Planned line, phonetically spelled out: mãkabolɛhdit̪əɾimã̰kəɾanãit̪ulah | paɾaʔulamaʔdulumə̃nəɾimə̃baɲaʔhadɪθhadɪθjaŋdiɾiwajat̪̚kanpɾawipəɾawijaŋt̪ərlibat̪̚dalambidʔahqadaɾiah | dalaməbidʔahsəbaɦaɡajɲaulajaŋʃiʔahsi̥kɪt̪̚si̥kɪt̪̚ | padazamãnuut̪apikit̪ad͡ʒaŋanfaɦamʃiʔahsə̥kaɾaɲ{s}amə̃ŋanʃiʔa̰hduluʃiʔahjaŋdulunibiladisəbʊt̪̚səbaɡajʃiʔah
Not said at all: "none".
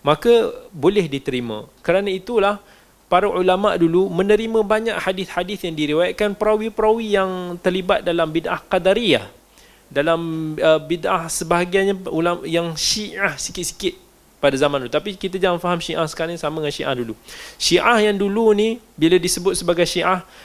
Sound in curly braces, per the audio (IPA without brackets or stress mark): s